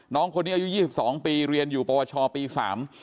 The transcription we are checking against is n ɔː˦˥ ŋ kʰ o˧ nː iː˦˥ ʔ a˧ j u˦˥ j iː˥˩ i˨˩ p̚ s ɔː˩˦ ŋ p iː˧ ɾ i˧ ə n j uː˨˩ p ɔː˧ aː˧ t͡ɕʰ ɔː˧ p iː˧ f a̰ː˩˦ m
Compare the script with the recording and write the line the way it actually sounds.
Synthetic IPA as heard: n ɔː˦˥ ŋ kʰ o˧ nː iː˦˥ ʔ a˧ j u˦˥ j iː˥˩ i˨˩ p̚ s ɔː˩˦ ŋ p iː˧ ɾ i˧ ə n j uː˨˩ p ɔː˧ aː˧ t͡ɕʰ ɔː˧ p iː˧ s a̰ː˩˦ m